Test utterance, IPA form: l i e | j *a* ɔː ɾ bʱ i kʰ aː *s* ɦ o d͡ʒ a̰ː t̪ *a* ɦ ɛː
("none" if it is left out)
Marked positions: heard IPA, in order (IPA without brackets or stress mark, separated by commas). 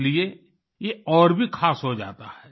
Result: e, s, a